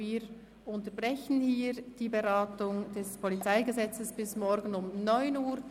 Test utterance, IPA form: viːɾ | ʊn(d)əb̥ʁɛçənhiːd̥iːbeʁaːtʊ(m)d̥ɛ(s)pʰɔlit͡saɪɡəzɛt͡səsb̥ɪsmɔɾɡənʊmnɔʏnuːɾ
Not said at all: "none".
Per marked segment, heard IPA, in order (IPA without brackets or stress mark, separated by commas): t, ŋ, s